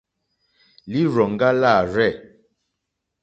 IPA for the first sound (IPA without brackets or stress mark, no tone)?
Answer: l